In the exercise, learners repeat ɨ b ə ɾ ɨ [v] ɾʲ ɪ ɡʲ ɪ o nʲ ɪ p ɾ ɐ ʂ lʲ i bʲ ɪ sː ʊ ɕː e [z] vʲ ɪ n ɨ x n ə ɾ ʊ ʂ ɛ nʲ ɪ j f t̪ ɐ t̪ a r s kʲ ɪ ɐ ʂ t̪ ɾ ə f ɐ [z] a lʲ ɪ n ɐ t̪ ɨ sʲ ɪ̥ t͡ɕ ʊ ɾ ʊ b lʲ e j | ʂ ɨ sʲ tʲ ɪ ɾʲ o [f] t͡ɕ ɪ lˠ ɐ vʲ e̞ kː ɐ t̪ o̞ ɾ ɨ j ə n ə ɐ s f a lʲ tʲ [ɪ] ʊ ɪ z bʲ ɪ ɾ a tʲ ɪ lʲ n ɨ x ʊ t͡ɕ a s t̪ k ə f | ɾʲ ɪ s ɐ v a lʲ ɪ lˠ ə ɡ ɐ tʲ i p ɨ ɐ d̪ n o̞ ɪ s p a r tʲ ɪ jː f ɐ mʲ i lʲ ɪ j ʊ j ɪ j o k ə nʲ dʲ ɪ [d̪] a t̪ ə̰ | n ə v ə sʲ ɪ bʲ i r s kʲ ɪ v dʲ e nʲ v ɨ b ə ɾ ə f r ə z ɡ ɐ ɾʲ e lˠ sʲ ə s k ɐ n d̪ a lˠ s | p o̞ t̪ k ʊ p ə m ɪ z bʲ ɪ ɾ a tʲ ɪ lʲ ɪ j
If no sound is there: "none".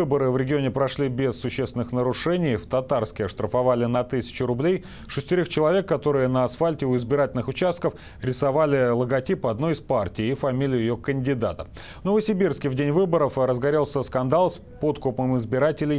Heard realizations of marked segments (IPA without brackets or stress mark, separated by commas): v, s, v, x, ɪ, d̪